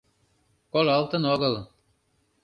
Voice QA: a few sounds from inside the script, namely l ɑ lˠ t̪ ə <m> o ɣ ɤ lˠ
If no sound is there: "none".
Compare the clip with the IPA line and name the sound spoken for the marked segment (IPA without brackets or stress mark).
n